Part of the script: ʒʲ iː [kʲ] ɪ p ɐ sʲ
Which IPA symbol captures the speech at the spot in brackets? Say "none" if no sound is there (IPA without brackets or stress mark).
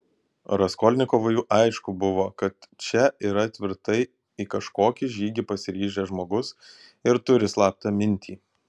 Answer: ɡʲ